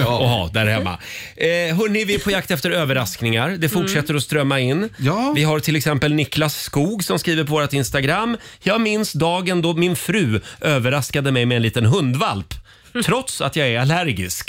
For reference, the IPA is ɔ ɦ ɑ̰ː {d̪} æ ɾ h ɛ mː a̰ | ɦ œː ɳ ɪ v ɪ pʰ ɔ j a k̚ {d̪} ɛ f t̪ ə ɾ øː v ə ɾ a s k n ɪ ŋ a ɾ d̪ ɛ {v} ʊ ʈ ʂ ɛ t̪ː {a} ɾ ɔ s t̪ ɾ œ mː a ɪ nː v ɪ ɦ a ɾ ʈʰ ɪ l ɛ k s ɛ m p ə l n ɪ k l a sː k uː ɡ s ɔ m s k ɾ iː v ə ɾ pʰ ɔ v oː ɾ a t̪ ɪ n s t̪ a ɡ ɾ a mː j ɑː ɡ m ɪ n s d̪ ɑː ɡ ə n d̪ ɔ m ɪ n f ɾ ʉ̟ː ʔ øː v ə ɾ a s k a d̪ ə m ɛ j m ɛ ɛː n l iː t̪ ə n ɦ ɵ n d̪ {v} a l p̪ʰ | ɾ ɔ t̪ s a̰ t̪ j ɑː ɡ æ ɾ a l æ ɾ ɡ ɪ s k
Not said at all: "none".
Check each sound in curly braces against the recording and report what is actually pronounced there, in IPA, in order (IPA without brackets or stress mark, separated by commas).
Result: d̪, t̪, f, ə, v